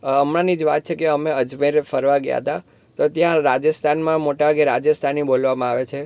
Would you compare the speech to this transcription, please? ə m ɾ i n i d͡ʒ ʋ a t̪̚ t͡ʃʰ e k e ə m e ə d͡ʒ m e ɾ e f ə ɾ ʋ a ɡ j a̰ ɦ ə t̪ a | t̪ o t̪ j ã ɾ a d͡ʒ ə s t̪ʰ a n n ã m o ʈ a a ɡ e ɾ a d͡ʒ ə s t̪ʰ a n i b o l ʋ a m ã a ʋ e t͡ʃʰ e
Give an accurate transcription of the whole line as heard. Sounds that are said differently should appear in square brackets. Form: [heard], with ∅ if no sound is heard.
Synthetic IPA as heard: ə m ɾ [a] n i d͡ʒ ʋ a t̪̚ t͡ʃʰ e k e ə m e ə d͡ʒ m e ɾ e f ə ɾ ʋ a ɡ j a̰ ɦ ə t̪ a | t̪ o t̪ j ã ɾ a d͡ʒ ə s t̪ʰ a n [m] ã m o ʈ a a ɡ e ɾ a d͡ʒ ə s t̪ʰ a n i b o l ʋ a m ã a ʋ e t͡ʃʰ e